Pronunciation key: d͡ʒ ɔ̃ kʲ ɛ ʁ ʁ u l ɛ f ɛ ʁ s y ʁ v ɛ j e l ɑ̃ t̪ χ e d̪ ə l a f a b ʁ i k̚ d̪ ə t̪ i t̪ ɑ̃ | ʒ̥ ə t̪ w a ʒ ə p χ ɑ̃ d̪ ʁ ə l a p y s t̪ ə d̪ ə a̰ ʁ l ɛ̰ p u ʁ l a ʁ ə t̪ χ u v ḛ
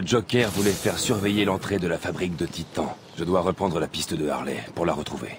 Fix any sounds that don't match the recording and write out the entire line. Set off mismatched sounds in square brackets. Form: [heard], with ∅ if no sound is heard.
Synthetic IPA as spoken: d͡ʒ [ɔ] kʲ ɛ ʁ [v] u l ɛ f ɛ ʁ s y ʁ v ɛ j e l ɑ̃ t̪ χ e d̪ ə l a f a b ʁ i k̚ d̪ ə t̪ i t̪ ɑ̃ | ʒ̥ ə [d̪] w a [ʁ] ə p χ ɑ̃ d̪ ʁ ə l a p [i] s t̪ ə d̪ ə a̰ ʁ l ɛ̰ p u ʁ l a ʁ ə t̪ χ u v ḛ